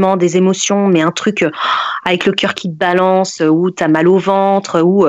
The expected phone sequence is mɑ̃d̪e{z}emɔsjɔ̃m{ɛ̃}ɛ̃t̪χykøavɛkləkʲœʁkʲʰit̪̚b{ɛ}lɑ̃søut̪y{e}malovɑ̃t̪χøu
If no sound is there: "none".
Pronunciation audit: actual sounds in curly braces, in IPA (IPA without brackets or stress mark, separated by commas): z, ɛ, a, a